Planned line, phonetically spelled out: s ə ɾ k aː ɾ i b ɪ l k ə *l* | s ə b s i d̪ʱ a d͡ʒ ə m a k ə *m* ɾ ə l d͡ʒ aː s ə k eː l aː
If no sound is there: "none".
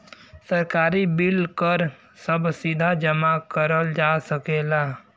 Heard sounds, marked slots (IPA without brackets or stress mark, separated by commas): ɾ, none